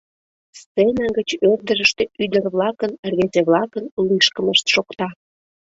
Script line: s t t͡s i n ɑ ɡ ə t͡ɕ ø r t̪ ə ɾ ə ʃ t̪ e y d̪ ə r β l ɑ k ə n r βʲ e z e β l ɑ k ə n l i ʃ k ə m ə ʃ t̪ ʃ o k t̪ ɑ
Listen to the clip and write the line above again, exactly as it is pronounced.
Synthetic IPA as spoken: s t t͡s e n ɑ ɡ ə t͡ɕ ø r d̪ ə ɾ ə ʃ t̪ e y d̪ ə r β l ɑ k ə n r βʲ e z e β l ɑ k ə n l i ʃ k ə m ə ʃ t̪ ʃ o k t̪ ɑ